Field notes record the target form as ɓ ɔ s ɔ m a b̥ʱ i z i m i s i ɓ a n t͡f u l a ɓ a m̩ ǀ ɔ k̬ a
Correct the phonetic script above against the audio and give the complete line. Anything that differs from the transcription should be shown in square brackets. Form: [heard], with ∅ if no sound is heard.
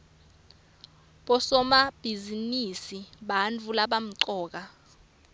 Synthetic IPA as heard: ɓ ɔ s ɔ m a b̥ʱ i z i [n] i s i ɓ a n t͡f u l a ɓ a m̩ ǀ [ɔː] k̬ a